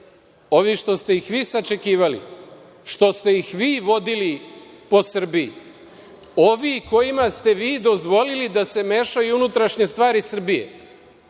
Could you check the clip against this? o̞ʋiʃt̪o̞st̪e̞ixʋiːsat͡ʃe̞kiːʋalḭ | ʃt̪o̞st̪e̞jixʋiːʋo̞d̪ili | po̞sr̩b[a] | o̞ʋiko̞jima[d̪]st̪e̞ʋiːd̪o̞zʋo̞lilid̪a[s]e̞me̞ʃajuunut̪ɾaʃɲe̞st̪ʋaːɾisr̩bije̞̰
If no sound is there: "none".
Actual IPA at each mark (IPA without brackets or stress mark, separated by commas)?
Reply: i, none, s